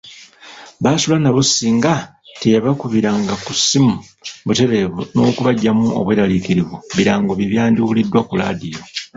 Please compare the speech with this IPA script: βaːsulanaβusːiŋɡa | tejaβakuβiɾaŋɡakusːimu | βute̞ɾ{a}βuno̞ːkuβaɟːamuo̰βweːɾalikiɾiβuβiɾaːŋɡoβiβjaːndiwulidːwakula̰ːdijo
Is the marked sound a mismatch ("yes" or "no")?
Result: yes